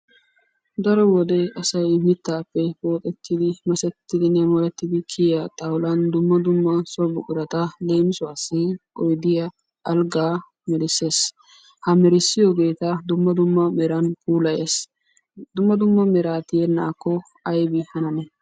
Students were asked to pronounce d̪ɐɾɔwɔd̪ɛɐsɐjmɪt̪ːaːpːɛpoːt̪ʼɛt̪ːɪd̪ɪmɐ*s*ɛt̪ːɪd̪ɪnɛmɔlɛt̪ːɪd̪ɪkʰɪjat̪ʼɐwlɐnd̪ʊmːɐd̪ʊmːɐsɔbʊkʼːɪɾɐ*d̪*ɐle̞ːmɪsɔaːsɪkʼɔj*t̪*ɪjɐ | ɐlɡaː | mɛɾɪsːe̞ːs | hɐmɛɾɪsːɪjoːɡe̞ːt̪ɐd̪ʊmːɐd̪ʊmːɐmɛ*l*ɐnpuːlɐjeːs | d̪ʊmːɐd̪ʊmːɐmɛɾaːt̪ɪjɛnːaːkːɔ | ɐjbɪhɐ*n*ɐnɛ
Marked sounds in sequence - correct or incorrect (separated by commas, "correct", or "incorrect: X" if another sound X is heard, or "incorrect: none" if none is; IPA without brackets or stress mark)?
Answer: correct, incorrect: t̪, incorrect: d̪, incorrect: ɾ, correct